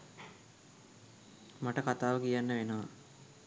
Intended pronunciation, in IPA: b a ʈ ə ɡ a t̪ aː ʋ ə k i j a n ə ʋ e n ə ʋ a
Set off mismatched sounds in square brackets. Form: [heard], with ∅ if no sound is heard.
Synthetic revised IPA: [m] a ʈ ə [k] a t̪ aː ʋ ə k i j a [nː] ə ʋ e n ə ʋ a